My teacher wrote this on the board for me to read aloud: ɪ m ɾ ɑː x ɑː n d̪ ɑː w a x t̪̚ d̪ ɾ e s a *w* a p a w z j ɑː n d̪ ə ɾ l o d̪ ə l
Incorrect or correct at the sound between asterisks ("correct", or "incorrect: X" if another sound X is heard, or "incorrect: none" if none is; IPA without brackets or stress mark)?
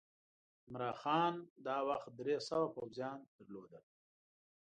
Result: correct